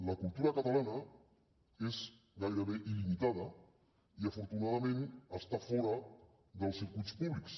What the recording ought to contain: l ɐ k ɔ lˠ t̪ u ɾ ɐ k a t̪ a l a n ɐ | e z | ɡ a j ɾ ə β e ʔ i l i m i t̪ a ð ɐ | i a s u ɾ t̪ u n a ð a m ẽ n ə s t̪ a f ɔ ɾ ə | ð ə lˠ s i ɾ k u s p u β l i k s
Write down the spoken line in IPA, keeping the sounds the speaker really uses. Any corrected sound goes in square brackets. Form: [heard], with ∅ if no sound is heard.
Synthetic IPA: l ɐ k [u] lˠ t̪ u ɾ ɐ k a t̪ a l a n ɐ | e z | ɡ a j ɾ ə β e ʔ i l i m i t̪ a ð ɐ | i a [f] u ɾ t̪ u n a ð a m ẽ n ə s t̪ a f ɔ ɾ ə | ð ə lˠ s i ɾ k u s p u β l i k s